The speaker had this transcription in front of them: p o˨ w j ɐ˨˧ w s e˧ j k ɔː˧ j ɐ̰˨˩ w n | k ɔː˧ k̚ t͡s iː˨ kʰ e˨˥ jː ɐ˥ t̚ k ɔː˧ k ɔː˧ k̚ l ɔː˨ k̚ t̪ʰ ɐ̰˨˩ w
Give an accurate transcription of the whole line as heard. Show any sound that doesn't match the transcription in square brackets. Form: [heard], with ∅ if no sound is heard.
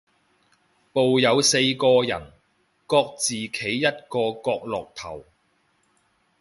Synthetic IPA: p o˨ w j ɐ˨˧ w s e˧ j k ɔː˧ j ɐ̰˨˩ [∅] n | k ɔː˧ k̚ t͡s iː˨ kʰ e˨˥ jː ɐ˥ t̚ k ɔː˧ k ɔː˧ k̚ l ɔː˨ k̚ t̪ʰ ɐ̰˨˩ w